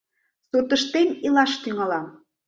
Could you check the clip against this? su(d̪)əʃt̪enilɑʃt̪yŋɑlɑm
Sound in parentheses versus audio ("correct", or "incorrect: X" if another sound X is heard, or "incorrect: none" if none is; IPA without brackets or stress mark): incorrect: t̪